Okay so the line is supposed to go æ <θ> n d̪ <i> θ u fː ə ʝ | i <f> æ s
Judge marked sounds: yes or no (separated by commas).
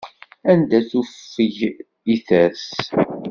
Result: no, no, no